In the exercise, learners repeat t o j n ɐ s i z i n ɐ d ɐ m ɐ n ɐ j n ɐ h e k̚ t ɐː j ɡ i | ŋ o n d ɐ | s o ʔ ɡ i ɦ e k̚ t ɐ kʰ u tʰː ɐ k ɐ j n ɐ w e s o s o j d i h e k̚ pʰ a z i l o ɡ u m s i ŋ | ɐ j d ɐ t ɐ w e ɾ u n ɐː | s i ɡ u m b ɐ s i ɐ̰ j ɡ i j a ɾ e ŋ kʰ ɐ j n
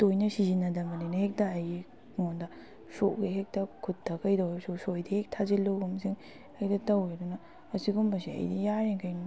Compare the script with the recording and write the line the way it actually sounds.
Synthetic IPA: t o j n ɐ s i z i n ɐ d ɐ m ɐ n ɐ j n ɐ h e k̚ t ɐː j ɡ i | ŋ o n d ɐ | s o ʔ ɡ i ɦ e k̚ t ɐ kʰ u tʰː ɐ k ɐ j d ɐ w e s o s o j d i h e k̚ tʰ a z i l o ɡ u m s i ŋ | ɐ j d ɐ t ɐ w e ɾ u n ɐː | s i ɡ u m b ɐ s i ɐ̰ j d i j a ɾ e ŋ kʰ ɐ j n